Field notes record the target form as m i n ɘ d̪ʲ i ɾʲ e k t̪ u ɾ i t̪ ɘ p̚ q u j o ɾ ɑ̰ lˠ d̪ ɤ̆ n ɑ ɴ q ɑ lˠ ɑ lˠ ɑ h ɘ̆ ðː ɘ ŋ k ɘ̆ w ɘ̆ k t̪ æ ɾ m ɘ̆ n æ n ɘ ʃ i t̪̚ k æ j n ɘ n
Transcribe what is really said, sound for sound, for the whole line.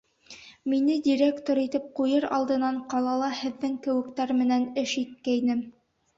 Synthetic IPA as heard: m i n ɘ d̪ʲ i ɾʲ e k t̪ o ɾ i t̪ ɘ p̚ q u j ɤ ɾ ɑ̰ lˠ d̪ ɤ̆ n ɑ ɴ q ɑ lˠ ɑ lˠ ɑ h ɘ̆ ðː ɘ ŋ k ɘ̆ w ɘ̆ k t̪ æ ɾ m ɘ̆ n æ n ɘ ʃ i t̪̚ k æ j n ɘ m